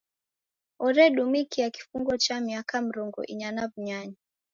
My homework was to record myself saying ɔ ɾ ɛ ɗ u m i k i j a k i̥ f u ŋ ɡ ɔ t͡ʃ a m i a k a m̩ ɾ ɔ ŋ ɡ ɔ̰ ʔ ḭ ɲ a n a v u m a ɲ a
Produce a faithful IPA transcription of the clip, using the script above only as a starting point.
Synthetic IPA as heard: ɔ ɾ ɛ ɗ u m i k i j a k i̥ f u ŋ ɡ ɔ t͡ʃ a m i a k a m̩ ɾ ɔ ŋ ɡ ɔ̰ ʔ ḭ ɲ a n a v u ɲ a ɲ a